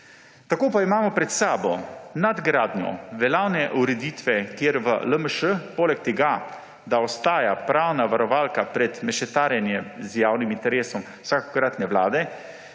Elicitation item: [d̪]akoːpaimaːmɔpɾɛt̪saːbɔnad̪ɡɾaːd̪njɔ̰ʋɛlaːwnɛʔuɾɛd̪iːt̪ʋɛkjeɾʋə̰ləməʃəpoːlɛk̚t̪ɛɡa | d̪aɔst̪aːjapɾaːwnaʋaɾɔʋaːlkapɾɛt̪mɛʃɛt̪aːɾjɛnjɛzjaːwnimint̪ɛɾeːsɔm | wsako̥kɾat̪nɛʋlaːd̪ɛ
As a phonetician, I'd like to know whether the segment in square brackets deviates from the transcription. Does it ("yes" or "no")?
yes